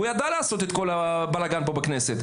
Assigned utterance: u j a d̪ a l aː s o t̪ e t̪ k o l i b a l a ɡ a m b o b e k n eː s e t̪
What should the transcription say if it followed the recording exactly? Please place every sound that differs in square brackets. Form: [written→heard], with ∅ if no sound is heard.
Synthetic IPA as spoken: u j a d̪ a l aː s o t̪ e t̪ k o l [i→a] b a l a ɡ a [m→n] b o b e k n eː s e t̪

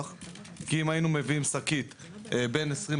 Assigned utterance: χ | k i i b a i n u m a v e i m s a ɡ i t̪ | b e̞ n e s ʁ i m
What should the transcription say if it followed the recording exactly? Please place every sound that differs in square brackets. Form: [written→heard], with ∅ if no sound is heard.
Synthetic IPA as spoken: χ | k i i [b→m] a i n u m [a→e] v [e→i] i m s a [ɡ→k] i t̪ | b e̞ n e s ʁ i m

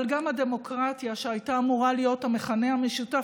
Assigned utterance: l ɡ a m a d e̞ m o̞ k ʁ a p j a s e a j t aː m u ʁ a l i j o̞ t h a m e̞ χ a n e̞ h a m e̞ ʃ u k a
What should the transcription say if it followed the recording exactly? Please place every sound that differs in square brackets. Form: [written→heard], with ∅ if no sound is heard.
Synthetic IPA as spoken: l ɡ a m a d e̞ m o̞ k ʁ a [p→t] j a [s→ʃ] e a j t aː m u ʁ a l i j o̞ t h a m e̞ χ a n e̞ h a m e̞ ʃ u [k→t] a

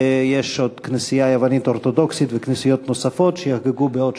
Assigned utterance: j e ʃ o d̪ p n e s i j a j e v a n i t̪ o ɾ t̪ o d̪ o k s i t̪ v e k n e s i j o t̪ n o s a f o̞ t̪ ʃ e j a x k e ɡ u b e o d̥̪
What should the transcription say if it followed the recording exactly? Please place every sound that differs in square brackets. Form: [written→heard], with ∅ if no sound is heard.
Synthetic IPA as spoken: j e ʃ o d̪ [p→k] n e s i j a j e v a n i t̪ o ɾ t̪ o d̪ o k s i t̪ v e k n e s i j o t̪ n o s a f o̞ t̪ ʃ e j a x [k→ɡ] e ɡ u b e o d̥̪

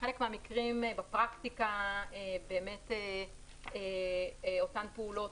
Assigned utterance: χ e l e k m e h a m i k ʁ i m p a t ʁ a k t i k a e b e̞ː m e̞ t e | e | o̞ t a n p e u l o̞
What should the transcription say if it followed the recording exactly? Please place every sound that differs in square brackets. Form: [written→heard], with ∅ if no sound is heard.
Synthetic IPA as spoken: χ e l e k m e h a m i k ʁ i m [p→b] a [t→p] ʁ a k t i k a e b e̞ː m e̞ t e | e | o̞ t a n p e u l o̞

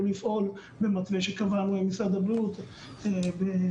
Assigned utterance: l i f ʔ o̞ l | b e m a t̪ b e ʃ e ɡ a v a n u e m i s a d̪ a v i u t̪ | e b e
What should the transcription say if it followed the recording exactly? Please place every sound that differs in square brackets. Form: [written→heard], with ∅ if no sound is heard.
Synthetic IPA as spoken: l i f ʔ o̞ l | b e m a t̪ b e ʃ e [ɡ→k] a v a n u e m i s a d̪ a [v→b] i u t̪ | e b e

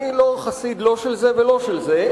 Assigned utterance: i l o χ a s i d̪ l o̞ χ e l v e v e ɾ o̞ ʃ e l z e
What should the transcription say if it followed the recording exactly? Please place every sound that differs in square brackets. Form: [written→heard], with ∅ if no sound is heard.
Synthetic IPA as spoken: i l o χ a s i d̪ l o̞ [χ→ʃ] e l [v→z] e v e [ɾ→l] o̞ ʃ e l z e

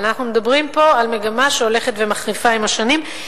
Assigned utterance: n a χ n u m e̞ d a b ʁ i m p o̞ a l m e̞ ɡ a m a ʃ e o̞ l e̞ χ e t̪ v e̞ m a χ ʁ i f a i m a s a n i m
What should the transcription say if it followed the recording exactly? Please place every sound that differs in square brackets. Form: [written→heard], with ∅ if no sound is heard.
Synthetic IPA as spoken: n a χ n u m e̞ d a b ʁ i m p o̞ a l m e̞ ɡ a m a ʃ e o̞ l e̞ χ e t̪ v e̞ m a χ ʁ i f a i m a [s→ʃ] a n i m

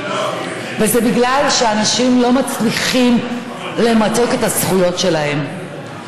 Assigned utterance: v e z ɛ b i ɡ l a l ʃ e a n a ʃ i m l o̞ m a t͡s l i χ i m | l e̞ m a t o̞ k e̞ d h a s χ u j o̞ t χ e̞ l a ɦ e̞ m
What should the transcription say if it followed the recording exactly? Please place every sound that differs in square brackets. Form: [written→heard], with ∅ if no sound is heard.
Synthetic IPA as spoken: v e z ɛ b i ɡ l a l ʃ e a n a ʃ i m l o̞ m a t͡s l i χ i m | l e̞ m a t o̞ k e̞ [d→t] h a s χ u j o̞ t [χ→ʃ] e̞ l a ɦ e̞ m

